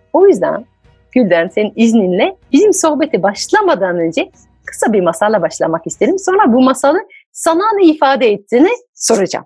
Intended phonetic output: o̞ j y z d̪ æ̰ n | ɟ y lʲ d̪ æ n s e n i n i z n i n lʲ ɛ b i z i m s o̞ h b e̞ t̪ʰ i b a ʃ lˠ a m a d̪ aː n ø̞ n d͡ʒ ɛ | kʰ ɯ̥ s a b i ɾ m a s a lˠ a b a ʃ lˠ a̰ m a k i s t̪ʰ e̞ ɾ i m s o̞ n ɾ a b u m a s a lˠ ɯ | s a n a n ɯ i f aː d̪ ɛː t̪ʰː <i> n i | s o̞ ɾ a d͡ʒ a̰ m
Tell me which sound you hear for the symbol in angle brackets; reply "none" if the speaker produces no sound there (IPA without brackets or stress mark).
iː